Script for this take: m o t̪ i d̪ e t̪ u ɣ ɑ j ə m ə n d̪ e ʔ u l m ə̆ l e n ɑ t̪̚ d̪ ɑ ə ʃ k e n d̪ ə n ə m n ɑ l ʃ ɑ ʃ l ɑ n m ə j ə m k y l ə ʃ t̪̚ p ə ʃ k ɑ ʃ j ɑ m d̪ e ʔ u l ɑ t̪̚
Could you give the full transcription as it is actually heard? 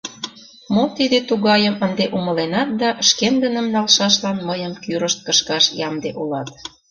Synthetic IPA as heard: m o t̪ i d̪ e t̪ u ɣ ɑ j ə m ə n d̪ e ʔ u m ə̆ l e n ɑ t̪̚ d̪ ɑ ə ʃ k e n d̪ ə n ə m n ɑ l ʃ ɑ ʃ l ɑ n m ə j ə m k y ɾ ə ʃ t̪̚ k ə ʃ k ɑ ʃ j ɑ m d̪ e ʔ u l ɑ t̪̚